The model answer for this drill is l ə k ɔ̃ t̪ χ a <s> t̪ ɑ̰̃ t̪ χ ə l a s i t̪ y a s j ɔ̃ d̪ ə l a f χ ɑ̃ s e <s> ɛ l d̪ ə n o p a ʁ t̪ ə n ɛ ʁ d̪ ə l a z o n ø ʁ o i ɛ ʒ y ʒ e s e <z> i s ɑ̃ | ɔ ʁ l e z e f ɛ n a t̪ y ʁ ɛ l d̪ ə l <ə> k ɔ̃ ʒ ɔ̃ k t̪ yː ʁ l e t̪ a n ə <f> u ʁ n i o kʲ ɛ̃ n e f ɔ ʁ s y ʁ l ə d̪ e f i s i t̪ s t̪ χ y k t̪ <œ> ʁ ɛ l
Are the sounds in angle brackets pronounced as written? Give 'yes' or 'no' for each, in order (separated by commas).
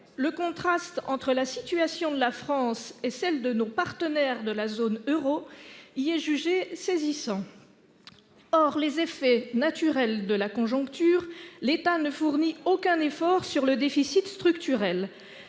yes, yes, yes, no, yes, no